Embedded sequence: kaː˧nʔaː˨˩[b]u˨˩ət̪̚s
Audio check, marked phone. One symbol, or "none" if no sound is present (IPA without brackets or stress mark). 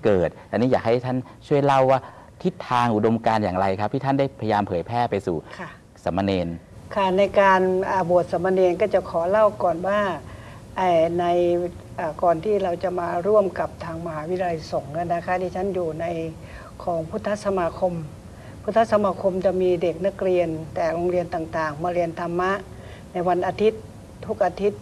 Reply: b